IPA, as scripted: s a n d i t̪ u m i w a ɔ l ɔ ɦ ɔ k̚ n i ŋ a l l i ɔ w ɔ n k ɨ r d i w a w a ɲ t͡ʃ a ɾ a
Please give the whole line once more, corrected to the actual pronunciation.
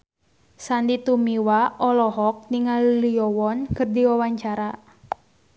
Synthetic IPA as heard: s a n d i t̪ u m i w a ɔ l ɔ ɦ ɔ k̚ n i ŋ a l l i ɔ w ɔ n k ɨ r d i w a w a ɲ t͡ʃ a ɾ a